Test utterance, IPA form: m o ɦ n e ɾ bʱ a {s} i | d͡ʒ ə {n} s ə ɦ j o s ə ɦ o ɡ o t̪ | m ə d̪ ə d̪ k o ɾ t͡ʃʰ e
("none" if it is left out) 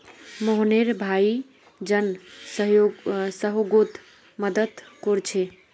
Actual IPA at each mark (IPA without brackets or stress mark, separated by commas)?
none, n